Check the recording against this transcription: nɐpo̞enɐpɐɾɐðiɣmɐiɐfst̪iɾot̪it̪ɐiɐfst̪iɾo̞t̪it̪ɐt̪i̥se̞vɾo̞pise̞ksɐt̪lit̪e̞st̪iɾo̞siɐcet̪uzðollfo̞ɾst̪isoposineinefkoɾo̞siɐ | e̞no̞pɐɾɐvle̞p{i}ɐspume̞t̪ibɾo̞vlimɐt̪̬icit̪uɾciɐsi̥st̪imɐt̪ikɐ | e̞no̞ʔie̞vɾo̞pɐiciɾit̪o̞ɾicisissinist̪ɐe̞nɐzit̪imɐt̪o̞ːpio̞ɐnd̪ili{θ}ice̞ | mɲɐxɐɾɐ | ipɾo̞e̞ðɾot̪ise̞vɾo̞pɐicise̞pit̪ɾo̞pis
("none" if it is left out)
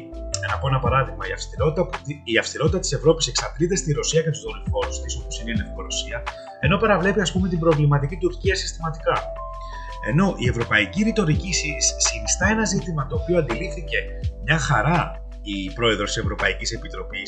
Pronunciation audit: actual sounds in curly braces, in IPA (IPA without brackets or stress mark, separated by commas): i, θ